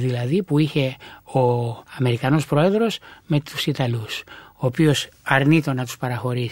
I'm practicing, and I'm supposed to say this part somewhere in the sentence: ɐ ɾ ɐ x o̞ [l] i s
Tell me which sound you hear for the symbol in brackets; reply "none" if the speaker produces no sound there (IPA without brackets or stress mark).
ɾ